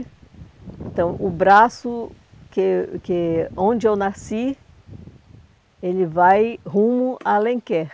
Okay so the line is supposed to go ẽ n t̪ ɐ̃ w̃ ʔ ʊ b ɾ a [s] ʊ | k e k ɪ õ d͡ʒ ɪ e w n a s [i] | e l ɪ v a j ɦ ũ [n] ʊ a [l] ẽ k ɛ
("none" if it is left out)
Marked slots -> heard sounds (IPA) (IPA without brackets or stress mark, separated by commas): s, i, m, l